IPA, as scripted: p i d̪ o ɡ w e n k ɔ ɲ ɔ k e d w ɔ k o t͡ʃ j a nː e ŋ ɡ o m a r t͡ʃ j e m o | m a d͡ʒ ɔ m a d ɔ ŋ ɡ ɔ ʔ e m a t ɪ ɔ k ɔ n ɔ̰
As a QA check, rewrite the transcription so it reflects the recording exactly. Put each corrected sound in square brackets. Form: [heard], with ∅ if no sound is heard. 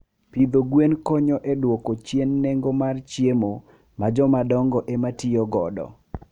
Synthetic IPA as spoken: p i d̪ o ɡ w e n k ɔ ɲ ɔ [ʔ] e d w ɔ k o t͡ʃ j [e] nː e ŋ ɡ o m a r t͡ʃ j e m o | m a d͡ʒ ɔ m a d ɔ ŋ ɡ ɔ ʔ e m a t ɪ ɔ [ɡ] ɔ [d] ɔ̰

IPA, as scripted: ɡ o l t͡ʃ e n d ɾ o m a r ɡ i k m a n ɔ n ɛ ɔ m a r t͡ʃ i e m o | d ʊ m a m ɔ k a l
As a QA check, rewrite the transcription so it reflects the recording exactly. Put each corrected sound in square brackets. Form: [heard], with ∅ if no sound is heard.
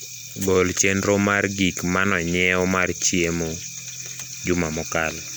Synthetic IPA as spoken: ɡ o l t͡ʃ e n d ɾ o m a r ɡ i k m a n ɔ [ɲ] ɛ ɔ m a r t͡ʃ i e m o | [d͡ʒ] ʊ m a m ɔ k a l

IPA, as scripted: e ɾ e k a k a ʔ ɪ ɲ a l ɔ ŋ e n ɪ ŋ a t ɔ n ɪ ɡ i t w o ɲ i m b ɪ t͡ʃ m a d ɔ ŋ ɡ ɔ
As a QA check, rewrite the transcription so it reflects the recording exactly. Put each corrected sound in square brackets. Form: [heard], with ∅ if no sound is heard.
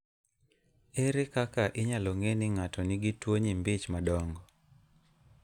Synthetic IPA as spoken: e ɾ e k a k a ʔ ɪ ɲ a l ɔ ŋ e n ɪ ŋ a t ɔ n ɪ ɡ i t w o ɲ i m b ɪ t͡ʃ m a d ɔ ŋ ɡ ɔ

